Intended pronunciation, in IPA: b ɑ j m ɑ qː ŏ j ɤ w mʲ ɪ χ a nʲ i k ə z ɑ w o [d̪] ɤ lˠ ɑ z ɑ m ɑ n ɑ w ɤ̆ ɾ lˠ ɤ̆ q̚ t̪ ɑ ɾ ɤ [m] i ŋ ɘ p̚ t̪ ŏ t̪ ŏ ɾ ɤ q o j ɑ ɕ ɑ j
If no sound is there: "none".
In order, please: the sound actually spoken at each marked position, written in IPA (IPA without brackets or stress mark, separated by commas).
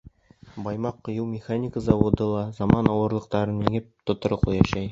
d̪, n